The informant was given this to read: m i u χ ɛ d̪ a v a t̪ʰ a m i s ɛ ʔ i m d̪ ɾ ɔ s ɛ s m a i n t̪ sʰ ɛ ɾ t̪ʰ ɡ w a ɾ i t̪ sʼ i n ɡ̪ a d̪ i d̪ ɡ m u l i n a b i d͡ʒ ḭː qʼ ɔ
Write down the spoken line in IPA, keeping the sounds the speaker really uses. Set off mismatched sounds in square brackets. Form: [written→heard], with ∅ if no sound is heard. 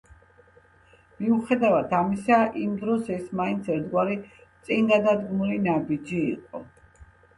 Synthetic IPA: m i u χ ɛ d̪ a v a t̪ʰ a m i s [ɛ→a] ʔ i m d̪ ɾ ɔ s ɛ s m a i n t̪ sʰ ɛ ɾ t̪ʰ ɡ w a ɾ i t̪ sʼ i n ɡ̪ a d̪ [i→a] d̪ ɡ m u l i n a b i d͡ʒ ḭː qʼ ɔ